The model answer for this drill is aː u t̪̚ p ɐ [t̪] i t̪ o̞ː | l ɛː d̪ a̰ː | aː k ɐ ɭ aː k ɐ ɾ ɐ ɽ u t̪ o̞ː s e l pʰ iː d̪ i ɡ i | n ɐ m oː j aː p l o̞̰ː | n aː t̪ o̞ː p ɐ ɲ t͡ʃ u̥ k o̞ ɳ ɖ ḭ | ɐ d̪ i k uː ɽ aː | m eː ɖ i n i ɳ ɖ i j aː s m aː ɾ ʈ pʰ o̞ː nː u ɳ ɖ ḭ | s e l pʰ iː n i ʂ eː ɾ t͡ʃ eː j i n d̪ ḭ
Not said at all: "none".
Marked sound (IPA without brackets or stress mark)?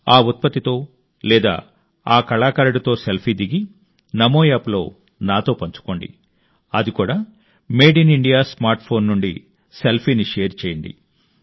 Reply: t̪